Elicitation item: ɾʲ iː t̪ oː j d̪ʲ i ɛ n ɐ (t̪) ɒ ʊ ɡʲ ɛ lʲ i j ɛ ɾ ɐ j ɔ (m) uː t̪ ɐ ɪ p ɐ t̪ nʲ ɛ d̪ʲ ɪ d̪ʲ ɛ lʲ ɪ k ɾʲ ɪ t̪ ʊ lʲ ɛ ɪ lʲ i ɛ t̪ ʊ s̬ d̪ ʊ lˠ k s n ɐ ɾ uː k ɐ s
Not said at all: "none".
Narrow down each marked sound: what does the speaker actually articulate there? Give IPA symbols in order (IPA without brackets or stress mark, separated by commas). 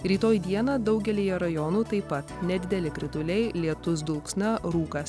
d̪, n